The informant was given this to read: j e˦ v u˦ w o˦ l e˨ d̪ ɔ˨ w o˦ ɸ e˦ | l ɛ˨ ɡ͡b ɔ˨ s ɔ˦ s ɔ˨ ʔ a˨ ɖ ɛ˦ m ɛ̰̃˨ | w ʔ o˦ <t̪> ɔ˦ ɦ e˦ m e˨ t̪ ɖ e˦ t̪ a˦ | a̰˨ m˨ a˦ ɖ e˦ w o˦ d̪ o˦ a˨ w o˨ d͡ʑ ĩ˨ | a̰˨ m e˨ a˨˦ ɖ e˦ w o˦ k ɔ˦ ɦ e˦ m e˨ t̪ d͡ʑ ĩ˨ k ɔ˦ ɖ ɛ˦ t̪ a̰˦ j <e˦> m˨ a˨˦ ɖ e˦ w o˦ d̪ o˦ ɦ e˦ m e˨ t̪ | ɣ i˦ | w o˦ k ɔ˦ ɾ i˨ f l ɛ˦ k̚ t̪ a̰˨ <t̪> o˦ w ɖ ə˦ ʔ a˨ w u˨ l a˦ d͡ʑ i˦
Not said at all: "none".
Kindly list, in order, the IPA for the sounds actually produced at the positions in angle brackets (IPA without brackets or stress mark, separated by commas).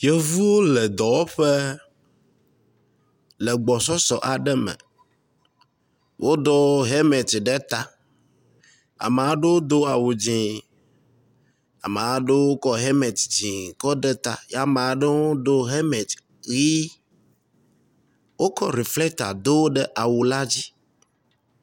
d̪, a˦, d̪